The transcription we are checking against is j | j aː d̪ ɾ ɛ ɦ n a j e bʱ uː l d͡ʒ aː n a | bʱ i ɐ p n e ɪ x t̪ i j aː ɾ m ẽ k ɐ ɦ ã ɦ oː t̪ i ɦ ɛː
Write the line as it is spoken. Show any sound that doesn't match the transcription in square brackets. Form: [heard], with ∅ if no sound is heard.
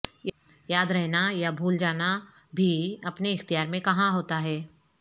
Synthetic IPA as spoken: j | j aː d̪ ɾ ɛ ɦ n a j [a] bʱ uː l d͡ʒ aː n a | bʱ i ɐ p n e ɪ x t̪ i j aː ɾ m ẽ k ɐ ɦ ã ɦ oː t̪ [a] ɦ ɛː